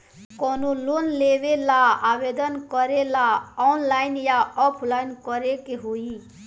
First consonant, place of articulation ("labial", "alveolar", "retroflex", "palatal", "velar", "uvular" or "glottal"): velar